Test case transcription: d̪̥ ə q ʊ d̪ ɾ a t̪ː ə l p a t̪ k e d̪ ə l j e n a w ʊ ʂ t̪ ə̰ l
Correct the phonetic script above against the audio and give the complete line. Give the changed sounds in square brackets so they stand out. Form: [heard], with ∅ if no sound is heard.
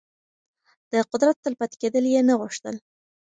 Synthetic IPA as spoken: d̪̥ ə q ʊ d̪ ɾ a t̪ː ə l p a t̪ k e d̪ ə l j e n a [ɣ] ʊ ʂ t̪ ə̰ l